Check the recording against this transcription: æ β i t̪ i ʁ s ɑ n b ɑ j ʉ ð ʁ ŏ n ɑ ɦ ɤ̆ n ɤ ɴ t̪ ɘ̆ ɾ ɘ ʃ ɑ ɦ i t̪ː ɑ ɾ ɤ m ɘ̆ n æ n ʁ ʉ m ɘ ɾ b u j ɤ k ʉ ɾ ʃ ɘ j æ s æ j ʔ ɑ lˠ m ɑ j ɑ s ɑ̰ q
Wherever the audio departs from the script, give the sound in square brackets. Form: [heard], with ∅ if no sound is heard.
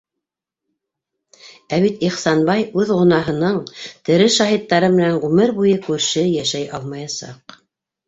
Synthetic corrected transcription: æ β i t̪ i [χ] s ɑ n b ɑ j ʉ ð ʁ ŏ n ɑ ɦ ɤ̆ n ɤ ɴ t̪ ɘ̆ ɾ ɘ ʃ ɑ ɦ i t̪ː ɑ ɾ ɤ m ɘ̆ n æ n ʁ ʉ m ɘ ɾ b u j ɤ k ʉ ɾ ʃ ɘ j æ [ʃ] æ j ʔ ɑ lˠ m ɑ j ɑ s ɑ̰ q